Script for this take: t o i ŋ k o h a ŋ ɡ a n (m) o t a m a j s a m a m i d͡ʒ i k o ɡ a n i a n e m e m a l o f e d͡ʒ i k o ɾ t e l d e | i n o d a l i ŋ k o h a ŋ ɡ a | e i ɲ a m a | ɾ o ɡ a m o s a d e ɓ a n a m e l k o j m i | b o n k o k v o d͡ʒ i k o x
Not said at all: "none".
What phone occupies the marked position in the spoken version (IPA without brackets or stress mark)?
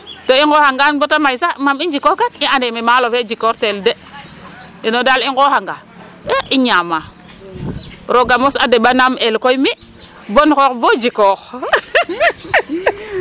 b